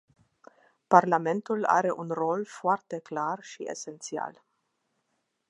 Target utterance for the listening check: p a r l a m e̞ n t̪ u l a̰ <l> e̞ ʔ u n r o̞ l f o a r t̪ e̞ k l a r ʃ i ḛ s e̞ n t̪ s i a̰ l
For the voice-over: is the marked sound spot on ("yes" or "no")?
no